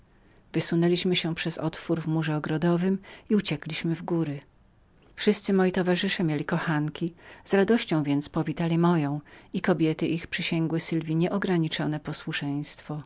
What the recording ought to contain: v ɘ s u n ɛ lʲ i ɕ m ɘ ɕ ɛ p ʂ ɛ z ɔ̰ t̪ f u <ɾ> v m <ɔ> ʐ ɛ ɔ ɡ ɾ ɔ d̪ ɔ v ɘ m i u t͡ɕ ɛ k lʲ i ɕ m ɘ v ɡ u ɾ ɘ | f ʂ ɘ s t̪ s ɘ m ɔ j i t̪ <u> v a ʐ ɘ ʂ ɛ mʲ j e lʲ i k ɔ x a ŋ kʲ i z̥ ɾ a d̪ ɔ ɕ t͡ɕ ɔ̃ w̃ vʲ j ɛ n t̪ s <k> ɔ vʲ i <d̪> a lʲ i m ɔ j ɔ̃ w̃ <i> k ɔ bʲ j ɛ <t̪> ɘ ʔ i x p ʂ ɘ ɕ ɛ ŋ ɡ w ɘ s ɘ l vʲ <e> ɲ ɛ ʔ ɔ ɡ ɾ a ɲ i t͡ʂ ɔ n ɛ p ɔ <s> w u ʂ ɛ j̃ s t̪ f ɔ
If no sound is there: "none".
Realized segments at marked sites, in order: ɾ, u, ɔ, p, t̪, i, t̪, i, s

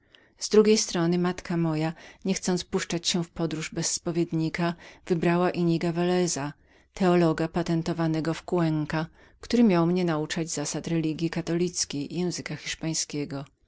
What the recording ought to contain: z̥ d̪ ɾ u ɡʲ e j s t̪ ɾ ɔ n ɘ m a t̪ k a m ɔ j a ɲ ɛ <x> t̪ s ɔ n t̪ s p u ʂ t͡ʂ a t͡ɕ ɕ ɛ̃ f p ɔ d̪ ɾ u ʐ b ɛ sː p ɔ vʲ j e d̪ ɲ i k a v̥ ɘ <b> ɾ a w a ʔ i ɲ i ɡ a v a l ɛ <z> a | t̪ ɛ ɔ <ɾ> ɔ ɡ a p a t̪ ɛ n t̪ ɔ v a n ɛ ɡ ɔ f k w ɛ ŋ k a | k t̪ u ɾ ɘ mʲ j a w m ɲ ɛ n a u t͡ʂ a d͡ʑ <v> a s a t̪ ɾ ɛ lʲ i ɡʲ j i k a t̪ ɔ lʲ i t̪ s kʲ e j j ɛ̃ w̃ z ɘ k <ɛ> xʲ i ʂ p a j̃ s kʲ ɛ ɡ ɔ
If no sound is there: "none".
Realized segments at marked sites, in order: x, b, z, l, z, a

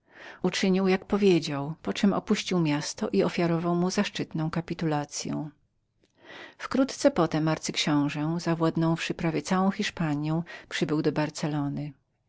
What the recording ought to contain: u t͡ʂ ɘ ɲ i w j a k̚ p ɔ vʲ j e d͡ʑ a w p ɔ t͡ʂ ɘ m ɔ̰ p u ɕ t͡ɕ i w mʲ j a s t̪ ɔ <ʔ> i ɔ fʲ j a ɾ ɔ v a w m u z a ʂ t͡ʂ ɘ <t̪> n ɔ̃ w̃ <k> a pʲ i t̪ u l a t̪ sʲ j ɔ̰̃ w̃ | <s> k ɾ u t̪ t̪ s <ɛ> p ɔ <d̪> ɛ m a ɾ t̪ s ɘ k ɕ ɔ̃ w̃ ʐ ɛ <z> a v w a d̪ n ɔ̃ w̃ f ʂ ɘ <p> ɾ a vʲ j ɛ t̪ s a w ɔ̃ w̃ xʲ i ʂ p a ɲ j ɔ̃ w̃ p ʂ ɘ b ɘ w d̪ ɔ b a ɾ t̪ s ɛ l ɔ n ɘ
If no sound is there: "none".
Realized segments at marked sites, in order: ʔ, t̪, k, f, ɛ, t̪, z, p

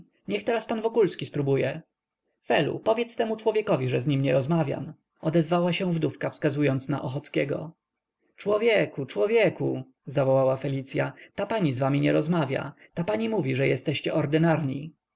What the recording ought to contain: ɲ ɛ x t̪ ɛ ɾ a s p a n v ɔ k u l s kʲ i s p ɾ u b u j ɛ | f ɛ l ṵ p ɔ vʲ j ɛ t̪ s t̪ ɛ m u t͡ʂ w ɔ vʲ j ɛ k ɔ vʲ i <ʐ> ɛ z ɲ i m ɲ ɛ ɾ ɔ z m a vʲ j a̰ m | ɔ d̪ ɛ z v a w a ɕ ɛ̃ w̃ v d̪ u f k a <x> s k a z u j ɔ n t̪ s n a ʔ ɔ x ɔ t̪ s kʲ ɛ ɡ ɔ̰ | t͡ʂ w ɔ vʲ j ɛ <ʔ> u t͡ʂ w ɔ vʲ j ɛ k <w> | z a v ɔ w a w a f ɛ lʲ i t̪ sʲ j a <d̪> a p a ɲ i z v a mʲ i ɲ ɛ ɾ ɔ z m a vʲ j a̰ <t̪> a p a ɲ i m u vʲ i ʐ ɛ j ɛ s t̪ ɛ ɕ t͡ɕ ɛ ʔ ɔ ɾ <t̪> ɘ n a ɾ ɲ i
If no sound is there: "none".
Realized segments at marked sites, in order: ʐ, f, k, u, t̪, t̪, d̪

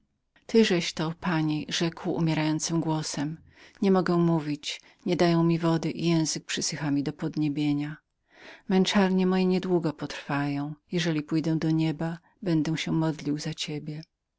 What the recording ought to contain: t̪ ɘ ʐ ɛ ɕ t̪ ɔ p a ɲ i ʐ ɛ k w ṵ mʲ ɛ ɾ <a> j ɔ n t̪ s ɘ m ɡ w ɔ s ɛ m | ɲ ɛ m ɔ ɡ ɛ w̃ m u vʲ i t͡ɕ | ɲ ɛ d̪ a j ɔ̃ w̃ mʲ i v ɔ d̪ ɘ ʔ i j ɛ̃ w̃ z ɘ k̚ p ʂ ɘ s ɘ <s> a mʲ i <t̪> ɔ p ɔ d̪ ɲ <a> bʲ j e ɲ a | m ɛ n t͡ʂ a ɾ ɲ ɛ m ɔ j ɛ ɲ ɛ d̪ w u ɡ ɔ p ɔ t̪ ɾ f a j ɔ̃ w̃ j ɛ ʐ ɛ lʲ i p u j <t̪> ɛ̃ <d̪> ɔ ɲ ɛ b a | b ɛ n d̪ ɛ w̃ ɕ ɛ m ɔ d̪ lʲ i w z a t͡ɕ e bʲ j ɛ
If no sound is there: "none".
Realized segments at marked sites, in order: a, x, d̪, e, d̪, d̪

